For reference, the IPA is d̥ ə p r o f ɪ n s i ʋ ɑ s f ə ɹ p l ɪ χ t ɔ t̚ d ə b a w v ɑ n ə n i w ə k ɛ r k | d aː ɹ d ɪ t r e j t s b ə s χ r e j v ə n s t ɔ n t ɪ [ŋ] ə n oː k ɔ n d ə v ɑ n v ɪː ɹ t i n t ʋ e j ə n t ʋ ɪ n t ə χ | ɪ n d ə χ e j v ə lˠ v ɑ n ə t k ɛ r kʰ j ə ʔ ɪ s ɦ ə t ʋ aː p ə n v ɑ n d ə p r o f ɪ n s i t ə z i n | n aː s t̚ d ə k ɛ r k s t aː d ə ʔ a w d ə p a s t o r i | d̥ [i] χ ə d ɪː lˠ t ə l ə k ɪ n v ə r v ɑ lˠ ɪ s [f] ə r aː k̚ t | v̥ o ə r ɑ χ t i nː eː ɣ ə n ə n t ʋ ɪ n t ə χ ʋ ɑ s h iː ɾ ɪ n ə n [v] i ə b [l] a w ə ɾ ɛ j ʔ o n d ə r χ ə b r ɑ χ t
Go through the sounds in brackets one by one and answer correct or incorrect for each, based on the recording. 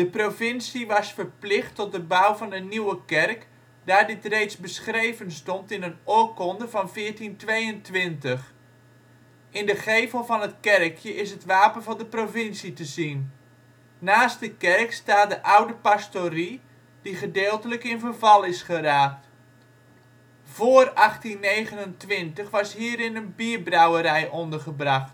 incorrect: n, correct, incorrect: χ, incorrect: b, incorrect: r

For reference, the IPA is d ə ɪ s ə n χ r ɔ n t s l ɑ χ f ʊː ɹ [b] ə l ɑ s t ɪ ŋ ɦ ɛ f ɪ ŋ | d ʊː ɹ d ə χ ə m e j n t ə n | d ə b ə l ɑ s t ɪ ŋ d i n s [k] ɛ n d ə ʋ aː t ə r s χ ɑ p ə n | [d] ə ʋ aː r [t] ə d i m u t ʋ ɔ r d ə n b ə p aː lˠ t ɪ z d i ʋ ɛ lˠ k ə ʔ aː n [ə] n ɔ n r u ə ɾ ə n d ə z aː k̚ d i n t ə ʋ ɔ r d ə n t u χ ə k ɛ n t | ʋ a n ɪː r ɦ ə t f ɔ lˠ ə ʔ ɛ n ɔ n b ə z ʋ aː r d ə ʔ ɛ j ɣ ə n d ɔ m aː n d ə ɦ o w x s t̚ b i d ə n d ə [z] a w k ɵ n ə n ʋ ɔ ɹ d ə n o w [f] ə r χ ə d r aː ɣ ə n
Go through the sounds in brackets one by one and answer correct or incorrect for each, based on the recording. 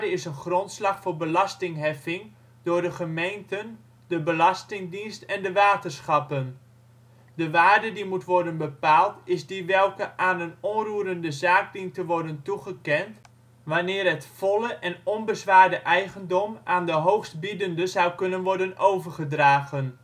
correct, incorrect: t, correct, incorrect: d, correct, correct, incorrect: v

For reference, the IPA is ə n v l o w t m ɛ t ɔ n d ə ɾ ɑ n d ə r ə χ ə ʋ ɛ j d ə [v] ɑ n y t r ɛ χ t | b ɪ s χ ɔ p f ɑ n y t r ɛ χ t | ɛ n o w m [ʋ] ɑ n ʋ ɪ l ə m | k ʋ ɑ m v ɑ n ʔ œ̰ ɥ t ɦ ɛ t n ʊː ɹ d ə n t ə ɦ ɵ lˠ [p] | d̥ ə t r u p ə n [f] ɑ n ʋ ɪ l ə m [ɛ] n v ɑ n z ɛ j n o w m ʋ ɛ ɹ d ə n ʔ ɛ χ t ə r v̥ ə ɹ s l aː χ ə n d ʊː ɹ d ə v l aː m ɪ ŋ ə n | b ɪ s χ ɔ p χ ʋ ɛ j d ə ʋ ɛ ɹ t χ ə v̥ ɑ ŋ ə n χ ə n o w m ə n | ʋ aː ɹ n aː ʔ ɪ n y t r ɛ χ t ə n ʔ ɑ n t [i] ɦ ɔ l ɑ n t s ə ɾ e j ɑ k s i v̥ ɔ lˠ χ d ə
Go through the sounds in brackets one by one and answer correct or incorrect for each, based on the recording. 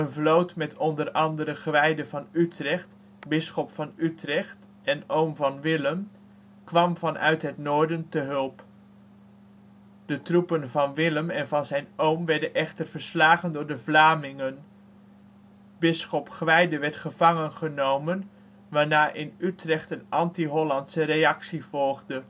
correct, incorrect: v, correct, incorrect: v, correct, correct

